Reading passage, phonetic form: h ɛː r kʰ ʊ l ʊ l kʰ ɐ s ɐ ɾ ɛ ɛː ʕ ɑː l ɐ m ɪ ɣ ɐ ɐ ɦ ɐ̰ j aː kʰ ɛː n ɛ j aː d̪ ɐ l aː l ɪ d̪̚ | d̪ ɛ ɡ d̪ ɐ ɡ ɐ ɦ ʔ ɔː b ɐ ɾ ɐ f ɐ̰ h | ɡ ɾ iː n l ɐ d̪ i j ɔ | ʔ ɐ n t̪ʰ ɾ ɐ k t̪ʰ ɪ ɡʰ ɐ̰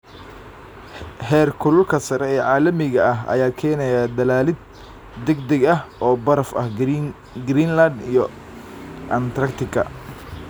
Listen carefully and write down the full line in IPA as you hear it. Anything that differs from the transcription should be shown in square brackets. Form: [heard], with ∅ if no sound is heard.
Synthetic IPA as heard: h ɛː r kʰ ʊ l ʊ l kʰ ɐ s ɐ ɾ ɛ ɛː ʕ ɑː l ɐ m ɪ ɣ ɐ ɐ ɦ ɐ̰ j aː kʰ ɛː n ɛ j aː d̪ ɐ l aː l ɪ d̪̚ | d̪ ɛ ɡ d̪ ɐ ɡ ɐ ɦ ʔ ɔː b ɐ ɾ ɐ f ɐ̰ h | ɡ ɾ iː n l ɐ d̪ i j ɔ | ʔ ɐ n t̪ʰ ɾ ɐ k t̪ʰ ɪ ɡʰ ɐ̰